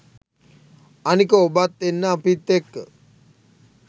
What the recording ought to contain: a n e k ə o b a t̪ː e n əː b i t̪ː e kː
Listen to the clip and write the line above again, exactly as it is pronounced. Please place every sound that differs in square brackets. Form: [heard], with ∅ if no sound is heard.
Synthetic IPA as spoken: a n [i] k ə o b a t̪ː e [nː] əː [p] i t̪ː e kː